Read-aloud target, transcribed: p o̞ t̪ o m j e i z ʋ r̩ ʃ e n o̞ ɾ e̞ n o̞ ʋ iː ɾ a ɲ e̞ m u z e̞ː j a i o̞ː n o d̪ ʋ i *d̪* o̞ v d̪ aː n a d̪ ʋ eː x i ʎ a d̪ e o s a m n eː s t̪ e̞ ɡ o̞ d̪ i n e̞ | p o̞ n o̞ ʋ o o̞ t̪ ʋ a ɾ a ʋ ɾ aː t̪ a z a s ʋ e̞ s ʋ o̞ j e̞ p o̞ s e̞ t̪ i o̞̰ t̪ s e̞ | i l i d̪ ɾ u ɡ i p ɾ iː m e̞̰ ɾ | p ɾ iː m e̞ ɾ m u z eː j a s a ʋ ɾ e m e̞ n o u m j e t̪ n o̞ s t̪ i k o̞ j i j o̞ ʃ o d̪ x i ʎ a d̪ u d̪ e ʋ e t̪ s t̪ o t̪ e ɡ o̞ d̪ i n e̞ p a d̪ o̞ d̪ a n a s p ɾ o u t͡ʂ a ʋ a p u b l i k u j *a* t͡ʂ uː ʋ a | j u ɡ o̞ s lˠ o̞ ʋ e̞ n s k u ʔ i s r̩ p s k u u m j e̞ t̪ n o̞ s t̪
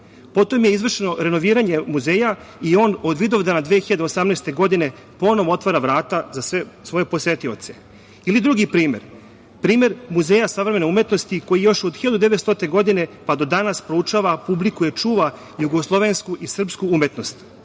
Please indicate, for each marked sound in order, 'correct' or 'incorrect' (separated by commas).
correct, incorrect